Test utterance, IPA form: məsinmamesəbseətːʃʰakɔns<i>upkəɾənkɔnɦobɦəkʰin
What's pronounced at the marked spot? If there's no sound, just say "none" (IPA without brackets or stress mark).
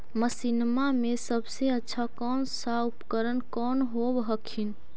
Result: a